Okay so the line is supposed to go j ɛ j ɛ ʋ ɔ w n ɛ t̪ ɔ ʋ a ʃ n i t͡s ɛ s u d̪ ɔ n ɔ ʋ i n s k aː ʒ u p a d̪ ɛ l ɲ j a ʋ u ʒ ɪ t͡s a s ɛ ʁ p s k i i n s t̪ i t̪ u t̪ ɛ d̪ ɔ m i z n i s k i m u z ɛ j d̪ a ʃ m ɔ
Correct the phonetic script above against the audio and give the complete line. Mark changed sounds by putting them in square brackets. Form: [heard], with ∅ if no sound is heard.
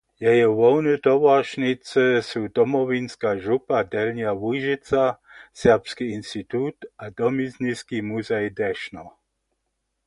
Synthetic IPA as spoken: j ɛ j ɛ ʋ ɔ w n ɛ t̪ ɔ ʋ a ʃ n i t͡s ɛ s u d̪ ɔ [m] ɔ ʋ i n s k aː ʒ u p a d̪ ɛ l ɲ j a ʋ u ʒ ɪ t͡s a s ɛ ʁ p s k i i n s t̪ i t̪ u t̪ [a] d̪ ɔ m i z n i s k i m u z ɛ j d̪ [ɛ] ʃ [n] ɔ